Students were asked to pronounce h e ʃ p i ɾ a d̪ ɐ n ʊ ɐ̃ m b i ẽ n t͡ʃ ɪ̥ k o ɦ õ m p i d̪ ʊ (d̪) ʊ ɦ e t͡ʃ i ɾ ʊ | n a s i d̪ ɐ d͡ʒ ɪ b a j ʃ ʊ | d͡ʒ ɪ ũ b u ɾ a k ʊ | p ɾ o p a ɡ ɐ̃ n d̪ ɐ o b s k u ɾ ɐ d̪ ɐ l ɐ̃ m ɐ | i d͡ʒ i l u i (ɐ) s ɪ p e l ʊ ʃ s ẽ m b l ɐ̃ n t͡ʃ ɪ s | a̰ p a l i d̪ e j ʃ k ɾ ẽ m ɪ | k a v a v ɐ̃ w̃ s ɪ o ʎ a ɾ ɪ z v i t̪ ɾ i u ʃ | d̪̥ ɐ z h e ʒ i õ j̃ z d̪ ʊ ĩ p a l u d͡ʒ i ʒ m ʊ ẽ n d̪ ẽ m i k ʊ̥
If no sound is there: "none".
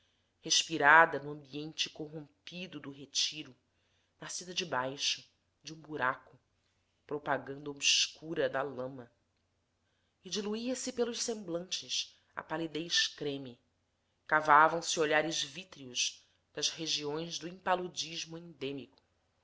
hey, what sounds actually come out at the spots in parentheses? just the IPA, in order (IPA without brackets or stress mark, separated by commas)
d̪, ɐ